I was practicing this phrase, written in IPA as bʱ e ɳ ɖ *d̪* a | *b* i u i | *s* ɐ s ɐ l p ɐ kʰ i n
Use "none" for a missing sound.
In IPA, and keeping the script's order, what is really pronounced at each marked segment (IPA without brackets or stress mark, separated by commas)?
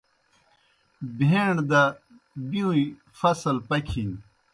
d̪, b, f